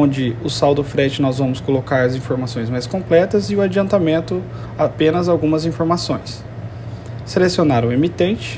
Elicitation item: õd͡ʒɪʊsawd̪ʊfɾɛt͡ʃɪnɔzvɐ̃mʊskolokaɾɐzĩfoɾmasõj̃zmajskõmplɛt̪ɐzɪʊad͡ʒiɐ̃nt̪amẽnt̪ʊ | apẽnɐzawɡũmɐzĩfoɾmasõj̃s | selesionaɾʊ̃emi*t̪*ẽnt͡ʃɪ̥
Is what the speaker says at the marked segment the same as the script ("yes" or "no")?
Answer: yes